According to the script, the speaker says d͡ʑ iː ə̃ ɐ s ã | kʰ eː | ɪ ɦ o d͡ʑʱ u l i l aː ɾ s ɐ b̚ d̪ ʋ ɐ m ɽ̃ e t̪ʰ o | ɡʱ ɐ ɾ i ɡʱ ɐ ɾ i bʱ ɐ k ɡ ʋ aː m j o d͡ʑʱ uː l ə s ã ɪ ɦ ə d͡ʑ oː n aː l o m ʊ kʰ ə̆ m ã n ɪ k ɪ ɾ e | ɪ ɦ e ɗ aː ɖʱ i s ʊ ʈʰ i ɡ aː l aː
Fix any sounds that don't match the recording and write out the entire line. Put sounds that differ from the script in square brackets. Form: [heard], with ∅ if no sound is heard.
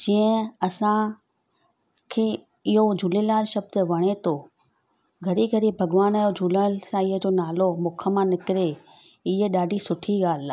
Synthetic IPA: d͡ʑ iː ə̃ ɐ s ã | kʰ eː | ɪ ɦ o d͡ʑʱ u l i l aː ɾ [ʃ] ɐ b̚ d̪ ʋ ɐ [∅] ɽ̃ e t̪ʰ o | ɡʱ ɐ ɾ i ɡʱ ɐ ɾ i bʱ ɐ [∅] ɡ ʋ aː [n] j o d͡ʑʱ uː l ə s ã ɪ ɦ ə d͡ʑ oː n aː l o m ʊ kʰ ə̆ m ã n ɪ k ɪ ɾ e | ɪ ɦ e ɗ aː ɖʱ i s ʊ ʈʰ i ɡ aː l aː

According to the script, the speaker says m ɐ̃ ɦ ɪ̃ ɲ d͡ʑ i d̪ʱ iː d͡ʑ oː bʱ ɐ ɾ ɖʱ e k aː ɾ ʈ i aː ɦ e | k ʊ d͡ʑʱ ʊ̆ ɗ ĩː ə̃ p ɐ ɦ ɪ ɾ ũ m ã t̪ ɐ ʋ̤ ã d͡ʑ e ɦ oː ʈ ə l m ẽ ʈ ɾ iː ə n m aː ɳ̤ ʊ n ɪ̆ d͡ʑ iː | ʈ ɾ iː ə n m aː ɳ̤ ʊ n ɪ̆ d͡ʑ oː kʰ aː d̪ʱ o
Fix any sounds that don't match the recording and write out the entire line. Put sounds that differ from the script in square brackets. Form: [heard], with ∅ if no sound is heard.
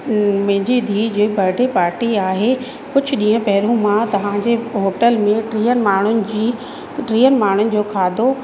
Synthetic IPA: m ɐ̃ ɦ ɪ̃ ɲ d͡ʑ i d̪ʱ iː d͡ʑ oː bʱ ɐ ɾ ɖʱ e [p] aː ɾ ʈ i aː ɦ e | k ʊ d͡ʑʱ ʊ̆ ɗ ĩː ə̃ p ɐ ɦ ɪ ɾ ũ m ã t̪ ɐ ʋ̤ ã d͡ʑ e ɦ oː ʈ ə l m ẽ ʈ ɾ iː ə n m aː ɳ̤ ʊ n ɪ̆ d͡ʑ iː | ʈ ɾ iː ə n m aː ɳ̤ ʊ n ɪ̆ d͡ʑ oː kʰ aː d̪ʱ o

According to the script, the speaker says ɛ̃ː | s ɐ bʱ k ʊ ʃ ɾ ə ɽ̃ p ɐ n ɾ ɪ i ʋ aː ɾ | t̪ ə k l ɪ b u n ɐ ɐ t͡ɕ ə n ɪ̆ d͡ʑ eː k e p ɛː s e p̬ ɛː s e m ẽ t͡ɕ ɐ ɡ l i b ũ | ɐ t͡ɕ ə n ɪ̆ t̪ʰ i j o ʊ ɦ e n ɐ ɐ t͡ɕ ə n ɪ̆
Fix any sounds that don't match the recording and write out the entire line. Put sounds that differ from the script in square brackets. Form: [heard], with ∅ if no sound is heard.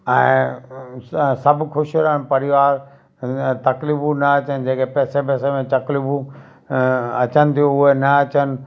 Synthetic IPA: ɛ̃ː | s ɐ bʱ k ʊ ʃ ɾ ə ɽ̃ p ɐ [∅] ɾ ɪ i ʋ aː ɾ | t̪ [ɐ] k l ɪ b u n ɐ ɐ t͡ɕ ə n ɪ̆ d͡ʑ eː k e p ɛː s e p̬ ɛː s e m ẽ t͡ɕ ɐ [k] l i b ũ | ɐ t͡ɕ ə n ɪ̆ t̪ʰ i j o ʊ ɦ e n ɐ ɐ t͡ɕ ə n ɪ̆

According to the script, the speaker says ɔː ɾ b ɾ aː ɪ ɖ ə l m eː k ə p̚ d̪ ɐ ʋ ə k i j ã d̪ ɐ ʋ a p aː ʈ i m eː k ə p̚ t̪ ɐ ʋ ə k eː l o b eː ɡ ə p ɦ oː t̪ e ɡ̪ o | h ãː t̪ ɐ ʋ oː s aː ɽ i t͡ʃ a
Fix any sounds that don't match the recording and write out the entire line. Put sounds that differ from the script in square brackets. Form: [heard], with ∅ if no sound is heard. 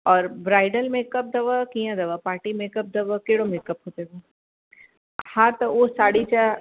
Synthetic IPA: ɔː ɾ b ɾ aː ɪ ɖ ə l m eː k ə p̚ d̪ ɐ ʋ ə k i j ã d̪ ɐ ʋ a p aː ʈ i m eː k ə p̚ [d̪] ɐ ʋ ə k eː [ɽ] o [m] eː [k] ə p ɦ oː t̪ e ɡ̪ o | h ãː t̪ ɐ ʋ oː s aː ɽ i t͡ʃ a

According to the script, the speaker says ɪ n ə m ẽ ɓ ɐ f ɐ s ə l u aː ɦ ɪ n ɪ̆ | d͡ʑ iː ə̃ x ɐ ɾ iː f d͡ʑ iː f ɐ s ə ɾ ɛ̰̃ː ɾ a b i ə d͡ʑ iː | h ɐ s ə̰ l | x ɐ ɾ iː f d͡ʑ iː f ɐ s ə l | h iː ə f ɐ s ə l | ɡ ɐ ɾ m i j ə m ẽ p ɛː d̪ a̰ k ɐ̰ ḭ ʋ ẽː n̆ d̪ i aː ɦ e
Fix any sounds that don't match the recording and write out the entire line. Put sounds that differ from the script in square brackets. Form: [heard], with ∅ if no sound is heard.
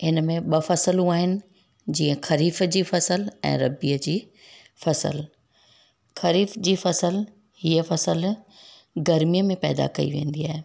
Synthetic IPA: ɪ n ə m ẽ ɓ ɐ f ɐ s ə l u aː ɦ ɪ n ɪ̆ | d͡ʑ iː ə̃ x ɐ ɾ iː f d͡ʑ iː f ɐ s ə [l] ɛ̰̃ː ɾ [ɐ] b i ə d͡ʑ iː | [f] ɐ s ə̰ l | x ɐ ɾ iː f d͡ʑ iː f ɐ s ə l | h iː ə f ɐ s ə l | ɡ ɐ ɾ m i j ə m ẽ p ɛː d̪ a̰ k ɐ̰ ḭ ʋ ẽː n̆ d̪ i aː ɦ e

